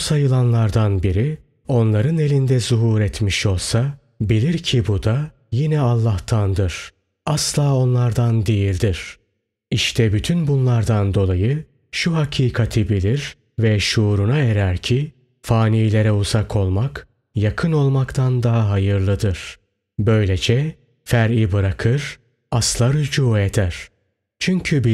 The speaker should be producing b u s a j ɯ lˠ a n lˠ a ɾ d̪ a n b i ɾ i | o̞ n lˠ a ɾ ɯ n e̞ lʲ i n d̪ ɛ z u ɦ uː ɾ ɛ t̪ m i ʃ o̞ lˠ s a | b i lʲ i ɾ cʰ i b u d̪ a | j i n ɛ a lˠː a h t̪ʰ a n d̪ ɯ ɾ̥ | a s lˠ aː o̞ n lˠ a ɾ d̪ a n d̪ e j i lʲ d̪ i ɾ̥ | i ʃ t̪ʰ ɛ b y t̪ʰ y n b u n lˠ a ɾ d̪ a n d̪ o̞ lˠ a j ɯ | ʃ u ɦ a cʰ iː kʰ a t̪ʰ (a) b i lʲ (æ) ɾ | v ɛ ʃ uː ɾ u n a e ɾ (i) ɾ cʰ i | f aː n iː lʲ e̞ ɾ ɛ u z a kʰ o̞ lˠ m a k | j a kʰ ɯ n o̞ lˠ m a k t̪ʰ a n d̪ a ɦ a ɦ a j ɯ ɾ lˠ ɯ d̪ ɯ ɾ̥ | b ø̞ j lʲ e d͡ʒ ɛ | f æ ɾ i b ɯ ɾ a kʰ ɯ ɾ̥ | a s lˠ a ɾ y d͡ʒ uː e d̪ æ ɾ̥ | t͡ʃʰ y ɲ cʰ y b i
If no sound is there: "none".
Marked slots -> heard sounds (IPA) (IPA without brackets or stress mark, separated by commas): i, i, æ